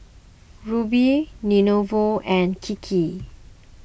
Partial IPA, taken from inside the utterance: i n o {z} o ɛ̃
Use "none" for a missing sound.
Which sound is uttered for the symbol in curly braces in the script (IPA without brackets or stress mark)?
v